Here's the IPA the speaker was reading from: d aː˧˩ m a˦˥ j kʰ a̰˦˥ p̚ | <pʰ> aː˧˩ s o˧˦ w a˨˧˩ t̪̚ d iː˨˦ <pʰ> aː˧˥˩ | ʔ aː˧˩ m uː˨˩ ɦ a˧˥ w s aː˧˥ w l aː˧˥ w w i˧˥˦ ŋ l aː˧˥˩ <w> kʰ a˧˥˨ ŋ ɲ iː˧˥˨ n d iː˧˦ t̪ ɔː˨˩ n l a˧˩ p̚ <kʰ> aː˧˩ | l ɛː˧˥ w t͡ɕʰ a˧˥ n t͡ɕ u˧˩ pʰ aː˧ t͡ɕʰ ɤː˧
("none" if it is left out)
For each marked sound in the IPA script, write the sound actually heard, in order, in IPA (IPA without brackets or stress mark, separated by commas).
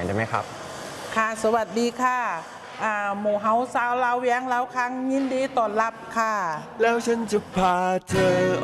kʰ, kʰ, w, kʰ